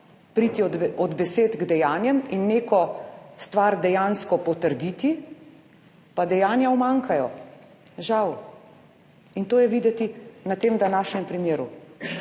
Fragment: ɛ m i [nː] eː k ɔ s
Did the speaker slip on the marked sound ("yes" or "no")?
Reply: no